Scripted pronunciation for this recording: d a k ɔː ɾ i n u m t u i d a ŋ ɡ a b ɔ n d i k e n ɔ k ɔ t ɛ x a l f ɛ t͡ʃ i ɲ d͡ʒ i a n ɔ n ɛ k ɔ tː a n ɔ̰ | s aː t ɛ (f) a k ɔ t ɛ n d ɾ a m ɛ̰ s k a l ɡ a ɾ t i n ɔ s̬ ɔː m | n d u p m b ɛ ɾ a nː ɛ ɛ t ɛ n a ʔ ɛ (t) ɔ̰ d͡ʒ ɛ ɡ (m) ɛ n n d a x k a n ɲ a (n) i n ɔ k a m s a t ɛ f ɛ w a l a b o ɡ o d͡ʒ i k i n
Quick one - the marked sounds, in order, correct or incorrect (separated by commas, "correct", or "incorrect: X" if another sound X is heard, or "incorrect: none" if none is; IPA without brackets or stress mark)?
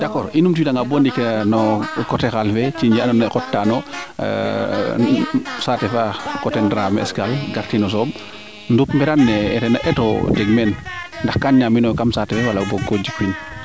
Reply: correct, correct, correct, incorrect: m